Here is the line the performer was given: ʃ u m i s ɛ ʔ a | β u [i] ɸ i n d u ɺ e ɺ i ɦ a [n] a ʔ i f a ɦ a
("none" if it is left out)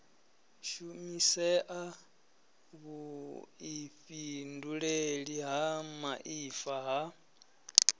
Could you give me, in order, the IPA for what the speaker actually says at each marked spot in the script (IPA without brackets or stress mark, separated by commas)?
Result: i, m